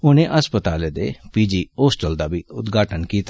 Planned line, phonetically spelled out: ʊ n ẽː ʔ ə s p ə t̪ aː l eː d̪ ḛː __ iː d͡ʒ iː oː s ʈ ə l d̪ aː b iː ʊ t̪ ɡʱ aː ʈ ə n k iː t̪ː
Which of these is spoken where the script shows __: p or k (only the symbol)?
p